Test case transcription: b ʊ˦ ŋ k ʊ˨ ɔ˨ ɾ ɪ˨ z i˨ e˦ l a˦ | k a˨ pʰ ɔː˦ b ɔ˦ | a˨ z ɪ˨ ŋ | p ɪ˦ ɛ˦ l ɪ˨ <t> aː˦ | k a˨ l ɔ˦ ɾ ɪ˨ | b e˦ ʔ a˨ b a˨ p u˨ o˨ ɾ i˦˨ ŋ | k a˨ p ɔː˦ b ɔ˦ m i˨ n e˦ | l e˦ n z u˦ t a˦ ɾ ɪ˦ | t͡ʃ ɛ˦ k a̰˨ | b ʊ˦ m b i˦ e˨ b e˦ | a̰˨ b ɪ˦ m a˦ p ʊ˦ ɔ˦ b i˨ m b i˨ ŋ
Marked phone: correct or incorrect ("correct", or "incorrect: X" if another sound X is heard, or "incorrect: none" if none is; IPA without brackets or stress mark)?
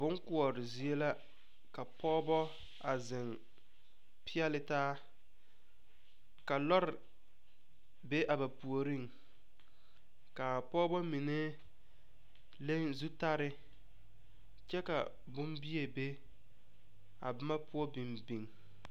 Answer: correct